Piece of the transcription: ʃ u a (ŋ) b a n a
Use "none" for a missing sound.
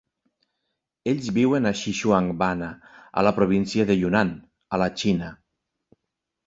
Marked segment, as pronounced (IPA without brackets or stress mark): ŋ